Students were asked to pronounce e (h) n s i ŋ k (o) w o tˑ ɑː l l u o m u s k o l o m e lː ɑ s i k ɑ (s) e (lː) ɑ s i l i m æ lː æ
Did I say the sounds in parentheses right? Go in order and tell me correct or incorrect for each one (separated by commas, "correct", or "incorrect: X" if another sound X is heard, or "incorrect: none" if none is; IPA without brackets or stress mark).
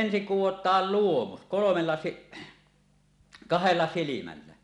incorrect: none, incorrect: u, incorrect: h, correct